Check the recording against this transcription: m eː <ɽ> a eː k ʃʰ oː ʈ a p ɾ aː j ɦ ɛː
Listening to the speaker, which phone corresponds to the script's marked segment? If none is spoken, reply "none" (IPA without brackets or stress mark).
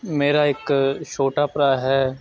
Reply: ɾ